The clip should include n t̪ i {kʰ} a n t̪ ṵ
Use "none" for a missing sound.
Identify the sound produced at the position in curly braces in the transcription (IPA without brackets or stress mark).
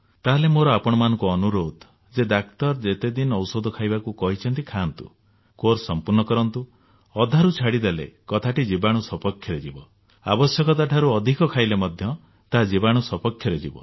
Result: kʰ